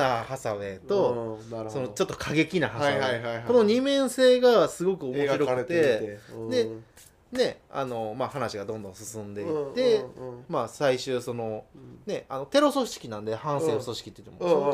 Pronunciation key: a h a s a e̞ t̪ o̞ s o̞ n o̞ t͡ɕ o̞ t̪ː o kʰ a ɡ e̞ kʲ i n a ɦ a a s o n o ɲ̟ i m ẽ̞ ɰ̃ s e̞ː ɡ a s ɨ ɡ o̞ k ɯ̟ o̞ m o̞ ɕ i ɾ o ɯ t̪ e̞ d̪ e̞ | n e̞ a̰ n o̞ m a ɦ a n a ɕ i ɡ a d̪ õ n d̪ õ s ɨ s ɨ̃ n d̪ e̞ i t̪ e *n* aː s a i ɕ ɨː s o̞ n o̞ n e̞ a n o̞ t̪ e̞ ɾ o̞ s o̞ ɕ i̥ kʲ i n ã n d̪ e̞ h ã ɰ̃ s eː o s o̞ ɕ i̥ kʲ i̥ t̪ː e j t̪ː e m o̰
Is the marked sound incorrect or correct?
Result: incorrect